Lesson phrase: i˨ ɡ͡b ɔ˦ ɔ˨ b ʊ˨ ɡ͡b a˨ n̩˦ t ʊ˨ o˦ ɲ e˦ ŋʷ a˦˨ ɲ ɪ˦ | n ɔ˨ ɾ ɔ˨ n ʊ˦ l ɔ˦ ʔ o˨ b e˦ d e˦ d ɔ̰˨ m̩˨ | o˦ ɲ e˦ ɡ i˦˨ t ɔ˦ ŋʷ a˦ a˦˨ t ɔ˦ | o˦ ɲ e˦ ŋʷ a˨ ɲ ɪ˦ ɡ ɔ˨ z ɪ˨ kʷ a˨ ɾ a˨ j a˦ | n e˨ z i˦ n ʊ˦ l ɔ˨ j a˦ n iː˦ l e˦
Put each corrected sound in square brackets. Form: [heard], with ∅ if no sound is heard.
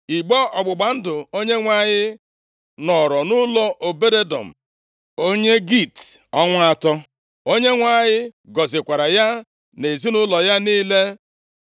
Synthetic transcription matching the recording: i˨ ɡ͡b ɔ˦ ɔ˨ [ɡ͡b] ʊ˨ ɡ͡b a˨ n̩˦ [d] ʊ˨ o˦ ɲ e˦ ŋʷ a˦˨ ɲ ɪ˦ | n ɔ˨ ɾ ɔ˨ n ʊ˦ l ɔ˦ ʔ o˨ b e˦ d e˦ d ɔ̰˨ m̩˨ | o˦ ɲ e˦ ɡ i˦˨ t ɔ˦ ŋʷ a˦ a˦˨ t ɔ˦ | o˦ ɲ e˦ ŋʷ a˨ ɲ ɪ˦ ɡ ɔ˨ z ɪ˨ kʷ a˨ ɾ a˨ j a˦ | n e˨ z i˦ n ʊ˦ l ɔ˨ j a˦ n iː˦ l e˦